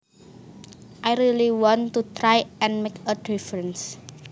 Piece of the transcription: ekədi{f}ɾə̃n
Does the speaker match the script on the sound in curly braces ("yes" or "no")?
yes